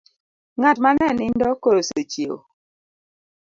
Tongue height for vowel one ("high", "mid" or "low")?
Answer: low